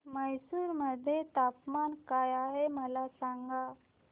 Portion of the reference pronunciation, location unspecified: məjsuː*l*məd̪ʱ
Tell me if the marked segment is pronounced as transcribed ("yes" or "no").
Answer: no